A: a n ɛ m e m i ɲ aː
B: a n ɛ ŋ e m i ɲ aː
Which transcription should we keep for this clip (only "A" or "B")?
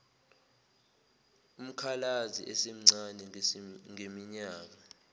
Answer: B